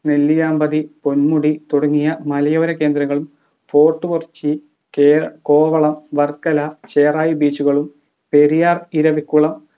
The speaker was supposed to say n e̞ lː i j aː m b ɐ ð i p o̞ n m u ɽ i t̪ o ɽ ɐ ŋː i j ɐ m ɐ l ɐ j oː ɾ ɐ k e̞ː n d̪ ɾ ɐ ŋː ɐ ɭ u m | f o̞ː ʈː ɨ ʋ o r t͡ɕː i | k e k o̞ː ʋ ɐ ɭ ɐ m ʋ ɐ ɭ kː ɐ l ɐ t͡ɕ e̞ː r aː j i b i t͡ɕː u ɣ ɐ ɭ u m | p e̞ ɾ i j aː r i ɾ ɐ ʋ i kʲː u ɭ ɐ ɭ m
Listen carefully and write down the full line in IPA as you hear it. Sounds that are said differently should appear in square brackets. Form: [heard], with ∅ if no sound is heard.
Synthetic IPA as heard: n e̞ lː i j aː m b ɐ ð i p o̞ n m u ɽ i t̪ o ɽ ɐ ŋː i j ɐ m ɐ l ɐ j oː ɾ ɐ k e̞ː n d̪ ɾ ɐ ŋː ɐ ɭ u m | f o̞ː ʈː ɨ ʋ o r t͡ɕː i | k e k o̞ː ʋ ɐ ɭ ɐ m ʋ ɐ [r] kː ɐ l ɐ t͡ɕ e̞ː r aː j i b [iː] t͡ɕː u ɣ ɐ ɭ u m | p e̞ ɾ i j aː r i ɾ ɐ ʋ i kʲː u ɭ ɐ [∅] m